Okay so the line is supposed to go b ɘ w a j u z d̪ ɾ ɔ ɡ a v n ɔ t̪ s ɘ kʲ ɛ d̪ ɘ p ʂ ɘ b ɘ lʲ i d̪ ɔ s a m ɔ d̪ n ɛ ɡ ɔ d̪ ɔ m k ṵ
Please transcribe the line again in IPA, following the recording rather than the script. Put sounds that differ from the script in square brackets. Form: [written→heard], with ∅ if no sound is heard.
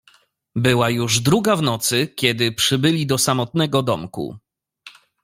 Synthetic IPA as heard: b ɘ w a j u [z→ʐ] d̪ ɾ [ɔ→u] ɡ a v n ɔ t̪ s ɘ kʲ ɛ d̪ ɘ p ʂ ɘ b ɘ lʲ i d̪ ɔ s a m ɔ [d̪→t̪] n ɛ ɡ ɔ d̪ ɔ m k ṵ